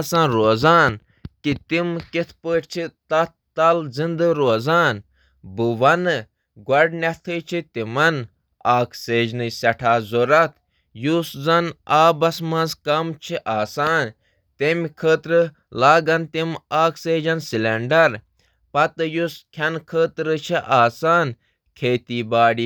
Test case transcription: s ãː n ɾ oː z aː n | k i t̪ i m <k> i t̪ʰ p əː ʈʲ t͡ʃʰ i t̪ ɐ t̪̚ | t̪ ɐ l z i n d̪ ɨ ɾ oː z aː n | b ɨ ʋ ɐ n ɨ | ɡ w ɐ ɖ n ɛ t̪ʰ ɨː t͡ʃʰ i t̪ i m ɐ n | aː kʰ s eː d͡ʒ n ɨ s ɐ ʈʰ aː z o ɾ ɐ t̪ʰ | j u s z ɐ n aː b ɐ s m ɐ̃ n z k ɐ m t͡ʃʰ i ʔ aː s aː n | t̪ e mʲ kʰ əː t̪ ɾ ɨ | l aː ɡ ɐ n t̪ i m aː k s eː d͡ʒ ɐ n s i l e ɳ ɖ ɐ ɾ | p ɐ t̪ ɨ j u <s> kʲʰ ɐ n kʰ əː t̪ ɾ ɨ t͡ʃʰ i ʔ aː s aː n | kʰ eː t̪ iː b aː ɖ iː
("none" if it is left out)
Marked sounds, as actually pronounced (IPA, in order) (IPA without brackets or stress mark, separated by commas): k, s